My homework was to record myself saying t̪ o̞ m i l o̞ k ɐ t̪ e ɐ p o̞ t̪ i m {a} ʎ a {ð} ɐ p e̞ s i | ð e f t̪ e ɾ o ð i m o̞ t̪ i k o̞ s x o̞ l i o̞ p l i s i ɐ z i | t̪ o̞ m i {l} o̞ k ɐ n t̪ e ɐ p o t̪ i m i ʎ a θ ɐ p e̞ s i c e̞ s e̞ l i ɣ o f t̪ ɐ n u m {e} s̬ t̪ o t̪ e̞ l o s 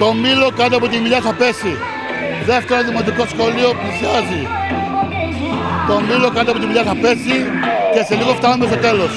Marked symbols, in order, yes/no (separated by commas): no, no, yes, yes